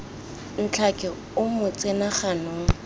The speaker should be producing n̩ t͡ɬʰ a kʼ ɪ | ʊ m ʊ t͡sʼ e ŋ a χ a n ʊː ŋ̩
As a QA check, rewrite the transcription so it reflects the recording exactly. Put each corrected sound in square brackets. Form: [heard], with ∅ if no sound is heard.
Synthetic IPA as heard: n̩ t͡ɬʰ a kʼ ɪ | ʊ m ʊ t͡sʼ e [n] a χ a n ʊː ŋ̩